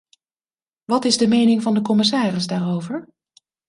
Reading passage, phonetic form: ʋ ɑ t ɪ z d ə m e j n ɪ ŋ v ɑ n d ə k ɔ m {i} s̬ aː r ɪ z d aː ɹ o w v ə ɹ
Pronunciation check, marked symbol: incorrect: ɪ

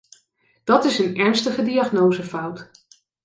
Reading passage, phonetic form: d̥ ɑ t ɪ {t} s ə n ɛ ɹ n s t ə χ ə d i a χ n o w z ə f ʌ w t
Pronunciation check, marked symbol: incorrect: none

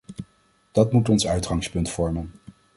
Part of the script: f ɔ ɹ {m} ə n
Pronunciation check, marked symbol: correct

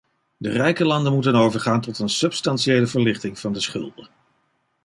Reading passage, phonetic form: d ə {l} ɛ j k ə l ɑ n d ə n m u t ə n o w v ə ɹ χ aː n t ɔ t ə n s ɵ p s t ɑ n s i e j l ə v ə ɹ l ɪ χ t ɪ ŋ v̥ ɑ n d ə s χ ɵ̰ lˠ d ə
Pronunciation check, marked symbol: incorrect: r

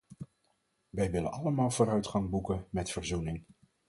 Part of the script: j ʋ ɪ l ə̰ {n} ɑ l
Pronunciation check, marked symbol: correct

